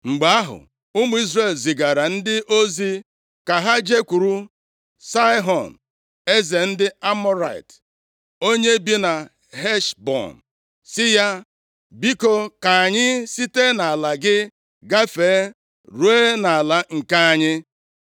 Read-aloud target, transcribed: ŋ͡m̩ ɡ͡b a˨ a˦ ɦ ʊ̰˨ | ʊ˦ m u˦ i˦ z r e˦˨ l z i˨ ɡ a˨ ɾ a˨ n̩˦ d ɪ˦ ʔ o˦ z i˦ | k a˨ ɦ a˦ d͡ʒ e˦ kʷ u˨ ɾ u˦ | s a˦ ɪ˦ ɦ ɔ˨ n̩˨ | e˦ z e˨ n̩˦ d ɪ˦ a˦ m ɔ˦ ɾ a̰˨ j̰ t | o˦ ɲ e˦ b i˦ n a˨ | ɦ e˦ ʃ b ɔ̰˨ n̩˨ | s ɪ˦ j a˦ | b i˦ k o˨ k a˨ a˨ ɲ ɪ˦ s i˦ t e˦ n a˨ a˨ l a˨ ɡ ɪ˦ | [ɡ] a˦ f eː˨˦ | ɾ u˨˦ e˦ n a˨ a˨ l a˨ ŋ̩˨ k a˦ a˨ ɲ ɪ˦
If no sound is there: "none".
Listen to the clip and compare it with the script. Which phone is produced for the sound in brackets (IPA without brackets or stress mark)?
ɡ